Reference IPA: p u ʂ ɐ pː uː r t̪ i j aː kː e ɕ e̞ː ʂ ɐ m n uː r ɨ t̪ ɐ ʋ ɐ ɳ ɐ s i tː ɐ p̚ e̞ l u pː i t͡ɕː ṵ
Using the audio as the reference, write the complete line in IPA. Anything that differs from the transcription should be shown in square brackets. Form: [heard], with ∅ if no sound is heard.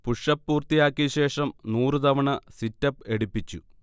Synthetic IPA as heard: p u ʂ ɐ pː uː r t̪ i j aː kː [i] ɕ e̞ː ʂ ɐ m n uː r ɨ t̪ ɐ ʋ ɐ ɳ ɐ s i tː ɐ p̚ e̞ [ɽ] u pː i t͡ɕː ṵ